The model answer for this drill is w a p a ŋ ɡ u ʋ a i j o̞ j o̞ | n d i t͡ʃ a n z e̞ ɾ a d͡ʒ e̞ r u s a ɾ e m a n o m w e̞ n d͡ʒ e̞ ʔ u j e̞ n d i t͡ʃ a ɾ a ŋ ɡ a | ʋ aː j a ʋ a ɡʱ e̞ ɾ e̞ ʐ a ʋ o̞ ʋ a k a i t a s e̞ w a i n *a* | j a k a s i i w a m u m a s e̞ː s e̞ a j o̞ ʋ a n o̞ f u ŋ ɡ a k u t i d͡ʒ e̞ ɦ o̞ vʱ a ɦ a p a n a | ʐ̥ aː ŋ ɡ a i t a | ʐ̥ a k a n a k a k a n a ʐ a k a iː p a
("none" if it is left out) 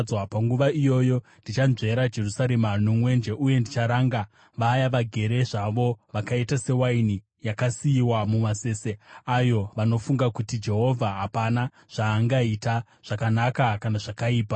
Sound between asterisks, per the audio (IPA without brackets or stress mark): i